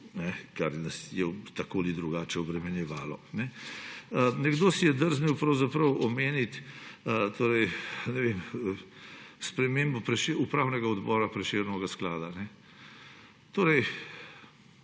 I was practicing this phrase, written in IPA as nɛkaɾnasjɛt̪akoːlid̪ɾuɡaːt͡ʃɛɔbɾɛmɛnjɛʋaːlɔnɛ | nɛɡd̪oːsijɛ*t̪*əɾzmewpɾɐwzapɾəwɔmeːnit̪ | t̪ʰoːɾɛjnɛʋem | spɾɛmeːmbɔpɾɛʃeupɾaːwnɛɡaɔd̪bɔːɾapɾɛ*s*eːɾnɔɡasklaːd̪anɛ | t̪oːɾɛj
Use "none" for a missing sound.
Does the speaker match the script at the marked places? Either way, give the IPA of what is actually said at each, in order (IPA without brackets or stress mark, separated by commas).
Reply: d̪, ʃ